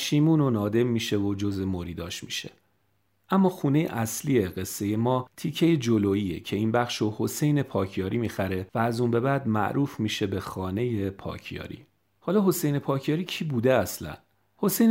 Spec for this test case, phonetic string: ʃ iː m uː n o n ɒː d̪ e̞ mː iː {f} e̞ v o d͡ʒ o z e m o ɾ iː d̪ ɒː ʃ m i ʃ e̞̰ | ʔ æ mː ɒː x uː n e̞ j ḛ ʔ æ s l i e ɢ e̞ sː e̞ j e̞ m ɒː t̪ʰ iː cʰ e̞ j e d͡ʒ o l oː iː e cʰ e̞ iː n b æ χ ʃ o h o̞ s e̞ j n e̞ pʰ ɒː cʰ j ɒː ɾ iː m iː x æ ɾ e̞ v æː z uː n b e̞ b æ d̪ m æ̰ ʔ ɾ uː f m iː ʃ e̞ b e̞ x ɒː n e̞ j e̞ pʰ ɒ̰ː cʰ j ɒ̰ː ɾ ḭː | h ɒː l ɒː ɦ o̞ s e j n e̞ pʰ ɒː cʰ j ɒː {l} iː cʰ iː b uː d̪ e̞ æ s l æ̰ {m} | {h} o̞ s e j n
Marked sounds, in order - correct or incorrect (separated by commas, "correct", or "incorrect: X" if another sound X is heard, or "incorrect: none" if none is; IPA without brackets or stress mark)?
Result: incorrect: ʃ, incorrect: ɾ, incorrect: n, correct